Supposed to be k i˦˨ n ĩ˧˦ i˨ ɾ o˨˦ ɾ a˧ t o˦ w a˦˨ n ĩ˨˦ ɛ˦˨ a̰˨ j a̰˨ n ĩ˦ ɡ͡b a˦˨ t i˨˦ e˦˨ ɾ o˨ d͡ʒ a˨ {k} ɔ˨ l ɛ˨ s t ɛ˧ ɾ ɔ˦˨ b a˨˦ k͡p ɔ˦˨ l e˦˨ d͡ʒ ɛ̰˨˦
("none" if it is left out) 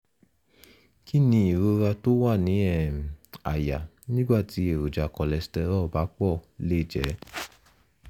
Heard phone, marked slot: k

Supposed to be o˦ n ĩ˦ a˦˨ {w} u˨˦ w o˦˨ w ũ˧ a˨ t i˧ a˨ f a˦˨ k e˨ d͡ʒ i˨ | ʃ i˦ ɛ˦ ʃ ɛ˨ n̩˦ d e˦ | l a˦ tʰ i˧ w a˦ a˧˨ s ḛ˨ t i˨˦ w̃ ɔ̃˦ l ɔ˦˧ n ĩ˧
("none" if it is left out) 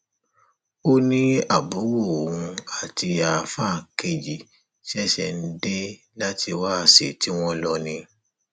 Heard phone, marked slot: b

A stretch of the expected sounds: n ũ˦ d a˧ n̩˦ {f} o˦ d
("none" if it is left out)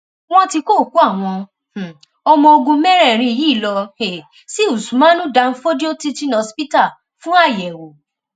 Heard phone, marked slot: f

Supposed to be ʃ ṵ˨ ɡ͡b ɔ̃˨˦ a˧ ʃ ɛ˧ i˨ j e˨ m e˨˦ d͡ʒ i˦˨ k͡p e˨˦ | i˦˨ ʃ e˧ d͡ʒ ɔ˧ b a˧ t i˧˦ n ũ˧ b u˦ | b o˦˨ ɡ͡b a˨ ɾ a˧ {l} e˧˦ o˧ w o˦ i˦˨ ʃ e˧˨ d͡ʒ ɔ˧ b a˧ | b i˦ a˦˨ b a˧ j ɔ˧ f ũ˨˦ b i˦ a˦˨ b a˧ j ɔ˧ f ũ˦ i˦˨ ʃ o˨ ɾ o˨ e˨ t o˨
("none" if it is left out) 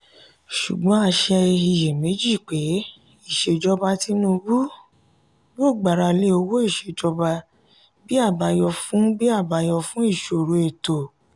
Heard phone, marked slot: l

